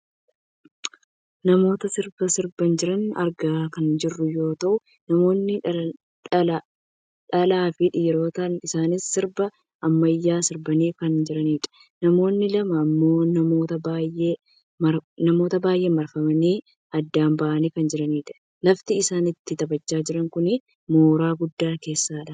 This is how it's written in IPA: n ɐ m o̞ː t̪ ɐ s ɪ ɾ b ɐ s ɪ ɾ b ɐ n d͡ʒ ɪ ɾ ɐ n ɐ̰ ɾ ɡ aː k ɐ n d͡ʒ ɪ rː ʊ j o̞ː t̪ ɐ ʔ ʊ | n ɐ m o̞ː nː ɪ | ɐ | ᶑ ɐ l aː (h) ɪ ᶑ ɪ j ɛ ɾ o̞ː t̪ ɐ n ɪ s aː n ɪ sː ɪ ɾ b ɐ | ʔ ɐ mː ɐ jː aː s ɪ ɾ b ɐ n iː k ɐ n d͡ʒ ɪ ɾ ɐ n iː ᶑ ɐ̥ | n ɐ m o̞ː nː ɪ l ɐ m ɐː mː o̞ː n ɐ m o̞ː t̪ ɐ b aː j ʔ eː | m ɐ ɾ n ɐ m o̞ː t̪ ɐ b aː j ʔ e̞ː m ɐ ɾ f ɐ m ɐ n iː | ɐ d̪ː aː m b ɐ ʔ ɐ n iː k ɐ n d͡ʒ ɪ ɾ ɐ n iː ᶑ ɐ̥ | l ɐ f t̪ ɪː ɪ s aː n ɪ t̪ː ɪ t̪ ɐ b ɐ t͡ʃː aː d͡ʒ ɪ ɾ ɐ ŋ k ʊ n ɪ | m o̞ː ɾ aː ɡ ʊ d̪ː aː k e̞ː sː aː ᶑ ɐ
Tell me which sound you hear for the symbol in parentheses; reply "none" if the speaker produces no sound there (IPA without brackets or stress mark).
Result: f